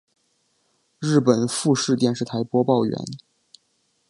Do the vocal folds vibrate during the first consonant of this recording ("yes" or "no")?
yes